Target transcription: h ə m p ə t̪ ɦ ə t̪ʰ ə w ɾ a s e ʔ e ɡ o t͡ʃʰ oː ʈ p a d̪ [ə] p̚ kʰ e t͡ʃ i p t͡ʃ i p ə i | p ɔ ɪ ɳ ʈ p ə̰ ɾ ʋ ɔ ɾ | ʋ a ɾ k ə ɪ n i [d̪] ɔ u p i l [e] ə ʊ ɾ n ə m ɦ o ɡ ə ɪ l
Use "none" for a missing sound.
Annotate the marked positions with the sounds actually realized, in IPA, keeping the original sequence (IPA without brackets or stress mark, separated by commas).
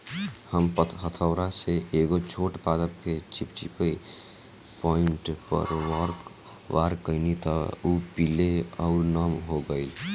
ə, t̪, e